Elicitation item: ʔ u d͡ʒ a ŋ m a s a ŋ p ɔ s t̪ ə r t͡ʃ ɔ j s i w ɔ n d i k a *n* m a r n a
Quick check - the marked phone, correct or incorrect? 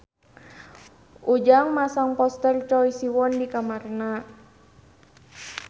incorrect